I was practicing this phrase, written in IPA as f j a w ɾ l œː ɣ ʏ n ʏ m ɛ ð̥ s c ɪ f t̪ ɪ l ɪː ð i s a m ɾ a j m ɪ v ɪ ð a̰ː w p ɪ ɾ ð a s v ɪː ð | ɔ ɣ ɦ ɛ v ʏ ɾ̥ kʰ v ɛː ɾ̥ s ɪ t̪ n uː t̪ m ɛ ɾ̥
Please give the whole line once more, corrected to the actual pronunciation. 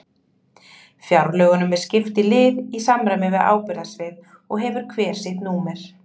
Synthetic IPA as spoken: f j a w ɾ l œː ɣ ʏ n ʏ m ɛ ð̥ s c ɪ f t̪ ɪ l ɪː ð i s a m ɾ a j m ɪ v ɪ ð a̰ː w p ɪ ɾ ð a s v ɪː ð | ɔ ɣ ɦ ɛ v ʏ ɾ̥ kʰ v ɛː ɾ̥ s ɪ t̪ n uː m ɛ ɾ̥

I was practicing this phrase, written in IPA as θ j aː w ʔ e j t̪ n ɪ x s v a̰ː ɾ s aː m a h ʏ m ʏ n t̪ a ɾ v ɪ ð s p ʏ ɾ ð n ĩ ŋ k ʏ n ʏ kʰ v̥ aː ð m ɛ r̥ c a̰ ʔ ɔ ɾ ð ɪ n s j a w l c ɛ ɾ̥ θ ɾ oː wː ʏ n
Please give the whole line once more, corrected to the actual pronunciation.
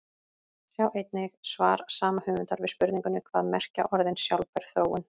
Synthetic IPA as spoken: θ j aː w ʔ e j t̪ n ɪ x s v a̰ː ɾ s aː m a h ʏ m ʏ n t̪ a ɾ v ɪ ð s p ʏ ɾ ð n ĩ ŋ k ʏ n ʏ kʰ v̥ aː ð m ɛ r̥ c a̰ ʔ ɔ ɾ ð ɪ n s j a w l p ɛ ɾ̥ θ ɾ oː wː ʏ n

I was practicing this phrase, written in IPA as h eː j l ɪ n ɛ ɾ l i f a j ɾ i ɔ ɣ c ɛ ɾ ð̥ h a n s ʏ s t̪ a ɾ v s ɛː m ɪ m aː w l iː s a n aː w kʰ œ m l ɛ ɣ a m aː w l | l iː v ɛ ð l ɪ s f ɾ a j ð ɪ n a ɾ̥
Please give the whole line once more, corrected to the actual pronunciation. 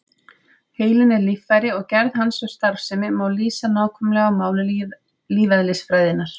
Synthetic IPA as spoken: h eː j l ɪ n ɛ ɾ l i f a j ɾ ɪ ɔ ɣ c ɛ ɾ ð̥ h a n s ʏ s t̪ a ɾ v s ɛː m ɪ m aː w l iː s a n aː w kʰ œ m l ɛ ɣ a m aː w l | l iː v a ð l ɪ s f ɾ a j ð ɪ n a ɾ̥

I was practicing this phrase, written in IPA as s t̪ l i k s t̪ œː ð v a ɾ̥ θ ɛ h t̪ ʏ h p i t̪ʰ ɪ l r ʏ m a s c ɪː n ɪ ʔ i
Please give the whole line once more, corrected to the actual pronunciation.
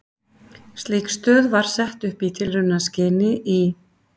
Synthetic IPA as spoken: s t̪ l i k s t̪ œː ð v a ɾ̥ s ɛ h t̪ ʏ h p i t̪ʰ ɪ l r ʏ n a s c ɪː n ɪ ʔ i

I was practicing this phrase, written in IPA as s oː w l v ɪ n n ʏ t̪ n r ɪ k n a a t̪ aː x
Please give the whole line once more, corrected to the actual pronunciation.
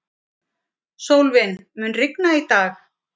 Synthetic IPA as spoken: s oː w l v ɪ n m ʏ n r ɪ k n a i t̪ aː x

